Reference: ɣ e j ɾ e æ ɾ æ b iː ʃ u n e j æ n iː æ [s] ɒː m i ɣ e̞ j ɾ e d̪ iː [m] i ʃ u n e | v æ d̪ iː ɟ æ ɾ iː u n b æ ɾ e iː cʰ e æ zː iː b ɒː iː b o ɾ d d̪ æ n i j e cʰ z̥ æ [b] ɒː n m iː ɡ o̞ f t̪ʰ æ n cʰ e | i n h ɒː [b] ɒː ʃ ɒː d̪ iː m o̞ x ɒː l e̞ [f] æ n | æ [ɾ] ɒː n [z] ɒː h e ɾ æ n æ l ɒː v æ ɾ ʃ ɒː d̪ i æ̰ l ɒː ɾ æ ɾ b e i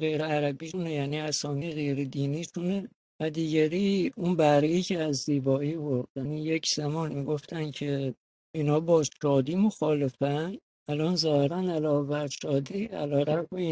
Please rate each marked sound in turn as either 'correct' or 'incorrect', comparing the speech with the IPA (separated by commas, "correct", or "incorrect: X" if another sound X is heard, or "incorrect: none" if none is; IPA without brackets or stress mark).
correct, incorrect: n, incorrect: m, correct, correct, incorrect: l, correct